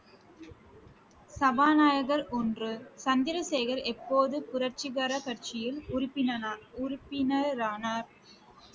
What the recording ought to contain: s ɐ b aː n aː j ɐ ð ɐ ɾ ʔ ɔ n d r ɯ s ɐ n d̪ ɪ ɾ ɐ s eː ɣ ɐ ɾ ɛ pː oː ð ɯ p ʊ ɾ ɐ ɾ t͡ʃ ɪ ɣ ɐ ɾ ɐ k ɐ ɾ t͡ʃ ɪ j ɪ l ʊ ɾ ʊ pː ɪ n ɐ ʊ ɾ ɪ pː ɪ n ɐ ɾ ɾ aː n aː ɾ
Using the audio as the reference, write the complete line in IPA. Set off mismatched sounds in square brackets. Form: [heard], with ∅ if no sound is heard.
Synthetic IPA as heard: s ɐ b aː n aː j ɐ [ɣ] ɐ ɾ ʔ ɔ n d r ɯ s ɐ n d̪ ɪ ɾ ɐ s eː ɣ ɐ ɾ ɛ pː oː ð ɯ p ʊ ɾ ɐ ɾ t͡ʃ ɪ ɣ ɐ ɾ ɐ k ɐ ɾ t͡ʃ ɪ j ɪ l ʊ ɾ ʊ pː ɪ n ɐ ʊ ɾ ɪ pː ɪ n ɐ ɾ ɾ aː n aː ɾ